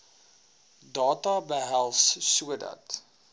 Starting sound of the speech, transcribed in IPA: d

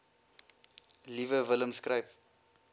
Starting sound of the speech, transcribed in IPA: l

